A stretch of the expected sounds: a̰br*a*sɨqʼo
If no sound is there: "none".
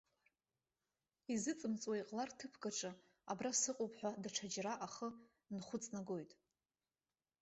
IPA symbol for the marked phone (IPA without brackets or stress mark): a